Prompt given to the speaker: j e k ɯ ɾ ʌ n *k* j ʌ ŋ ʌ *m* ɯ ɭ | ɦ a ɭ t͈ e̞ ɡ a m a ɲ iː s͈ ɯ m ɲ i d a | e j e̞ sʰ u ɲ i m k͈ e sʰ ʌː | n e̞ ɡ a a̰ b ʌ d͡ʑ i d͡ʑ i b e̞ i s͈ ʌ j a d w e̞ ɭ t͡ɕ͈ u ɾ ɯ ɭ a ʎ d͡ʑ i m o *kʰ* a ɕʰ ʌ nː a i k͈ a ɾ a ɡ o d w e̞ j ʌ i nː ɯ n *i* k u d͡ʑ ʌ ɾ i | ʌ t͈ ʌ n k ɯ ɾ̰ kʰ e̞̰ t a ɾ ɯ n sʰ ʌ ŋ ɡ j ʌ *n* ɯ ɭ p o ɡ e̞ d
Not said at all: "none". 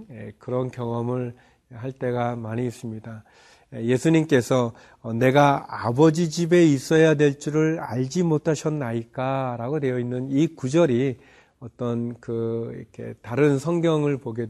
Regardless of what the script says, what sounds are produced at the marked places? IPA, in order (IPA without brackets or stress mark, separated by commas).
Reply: k, m, tʰ, i, ŋ